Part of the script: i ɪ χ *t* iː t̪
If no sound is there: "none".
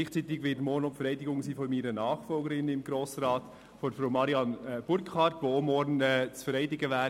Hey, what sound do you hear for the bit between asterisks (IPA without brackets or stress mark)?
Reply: t͡s